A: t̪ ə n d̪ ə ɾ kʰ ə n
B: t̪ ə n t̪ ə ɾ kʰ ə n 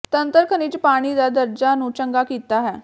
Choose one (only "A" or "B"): B